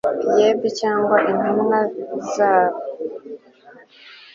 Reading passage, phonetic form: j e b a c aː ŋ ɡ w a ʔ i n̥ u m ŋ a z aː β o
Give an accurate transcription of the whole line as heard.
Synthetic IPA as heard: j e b i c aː ŋ ɡ w a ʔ i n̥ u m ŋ a z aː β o